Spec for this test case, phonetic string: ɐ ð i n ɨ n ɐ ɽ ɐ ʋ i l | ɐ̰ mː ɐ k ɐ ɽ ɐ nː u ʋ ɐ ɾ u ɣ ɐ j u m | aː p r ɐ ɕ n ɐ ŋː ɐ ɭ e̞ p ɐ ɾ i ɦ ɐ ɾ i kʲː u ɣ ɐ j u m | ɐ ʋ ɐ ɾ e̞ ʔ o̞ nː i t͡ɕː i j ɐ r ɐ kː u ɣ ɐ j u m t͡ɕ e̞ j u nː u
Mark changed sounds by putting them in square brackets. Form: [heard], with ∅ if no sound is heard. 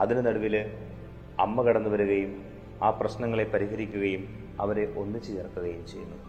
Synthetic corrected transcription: ɐ ð i n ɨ n ɐ ɽ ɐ ʋ i l | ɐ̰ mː ɐ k ɐ ɽ ɐ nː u ʋ ɐ ɾ u ɣ ɐ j u m | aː p r ɐ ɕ n ɐ ŋː ɐ ɭ e̞ p ɐ ɾ i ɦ ɐ ɾ i kʲː u ɣ ɐ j u m | ɐ ʋ ɐ ɾ e̞ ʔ o̞ nː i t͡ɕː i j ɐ r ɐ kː u ɣ ɐ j u m t͡ɕ e̞ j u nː u